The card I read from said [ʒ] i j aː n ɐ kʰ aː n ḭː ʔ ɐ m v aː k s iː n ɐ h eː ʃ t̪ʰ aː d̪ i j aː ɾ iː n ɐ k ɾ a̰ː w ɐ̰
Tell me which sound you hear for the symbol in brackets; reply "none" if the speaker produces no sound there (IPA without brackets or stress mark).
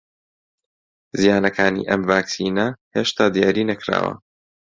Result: z